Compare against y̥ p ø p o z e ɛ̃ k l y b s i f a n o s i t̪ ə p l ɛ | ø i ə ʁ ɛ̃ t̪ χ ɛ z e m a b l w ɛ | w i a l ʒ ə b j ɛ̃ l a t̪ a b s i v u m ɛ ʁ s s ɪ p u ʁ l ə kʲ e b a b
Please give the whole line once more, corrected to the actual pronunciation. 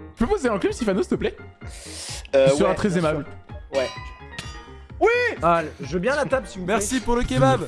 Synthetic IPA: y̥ p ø p o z e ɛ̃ k l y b s i f a n o s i t̪ ə p l ɛ | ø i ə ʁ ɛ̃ t̪ χ ɛ z e m a b l w ɛ | w i a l ʒ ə b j ɛ̃ l a t̪ a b s i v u m ɛ ʁ s s i p u ʁ l ə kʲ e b a b